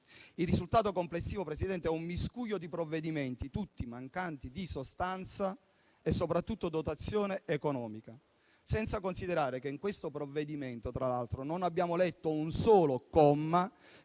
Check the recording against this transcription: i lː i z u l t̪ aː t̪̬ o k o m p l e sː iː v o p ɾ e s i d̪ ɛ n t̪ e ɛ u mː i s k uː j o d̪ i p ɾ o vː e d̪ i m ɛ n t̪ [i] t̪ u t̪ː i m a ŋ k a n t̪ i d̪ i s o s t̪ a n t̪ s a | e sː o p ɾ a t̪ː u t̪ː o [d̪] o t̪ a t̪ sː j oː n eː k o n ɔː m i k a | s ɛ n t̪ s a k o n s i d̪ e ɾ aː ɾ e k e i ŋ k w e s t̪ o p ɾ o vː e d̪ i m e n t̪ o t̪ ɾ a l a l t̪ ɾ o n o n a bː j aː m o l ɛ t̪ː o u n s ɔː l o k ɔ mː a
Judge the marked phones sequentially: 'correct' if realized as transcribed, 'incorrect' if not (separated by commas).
correct, correct